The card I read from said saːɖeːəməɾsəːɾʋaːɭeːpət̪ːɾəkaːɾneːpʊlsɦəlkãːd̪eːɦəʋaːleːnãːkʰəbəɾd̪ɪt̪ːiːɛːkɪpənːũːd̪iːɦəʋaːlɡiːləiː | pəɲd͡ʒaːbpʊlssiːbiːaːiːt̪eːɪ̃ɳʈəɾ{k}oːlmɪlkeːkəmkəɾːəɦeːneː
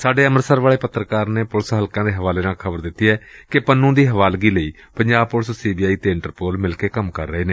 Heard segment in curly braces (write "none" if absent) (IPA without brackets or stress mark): p